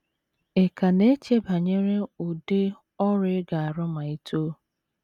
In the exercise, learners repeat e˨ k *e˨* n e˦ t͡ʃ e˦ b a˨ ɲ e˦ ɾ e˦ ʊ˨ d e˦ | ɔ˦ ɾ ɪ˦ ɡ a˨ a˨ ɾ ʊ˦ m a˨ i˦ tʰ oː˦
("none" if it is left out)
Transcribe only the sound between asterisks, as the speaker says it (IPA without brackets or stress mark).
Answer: a˨